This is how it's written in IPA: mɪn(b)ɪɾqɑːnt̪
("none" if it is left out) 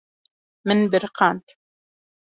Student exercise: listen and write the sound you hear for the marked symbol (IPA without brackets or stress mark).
b